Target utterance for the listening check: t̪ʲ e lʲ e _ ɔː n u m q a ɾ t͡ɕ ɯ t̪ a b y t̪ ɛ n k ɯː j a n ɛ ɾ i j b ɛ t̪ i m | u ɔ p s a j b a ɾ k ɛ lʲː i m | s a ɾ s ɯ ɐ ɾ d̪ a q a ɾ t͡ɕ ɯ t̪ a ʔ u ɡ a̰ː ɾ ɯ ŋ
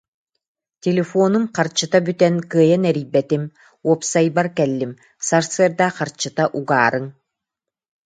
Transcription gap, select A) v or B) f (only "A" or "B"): B